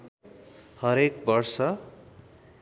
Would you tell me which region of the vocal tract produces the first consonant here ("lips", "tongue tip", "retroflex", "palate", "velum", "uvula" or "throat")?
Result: throat